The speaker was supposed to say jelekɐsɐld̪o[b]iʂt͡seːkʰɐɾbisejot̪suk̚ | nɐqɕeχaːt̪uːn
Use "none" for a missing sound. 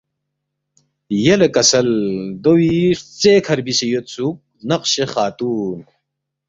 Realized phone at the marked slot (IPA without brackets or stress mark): w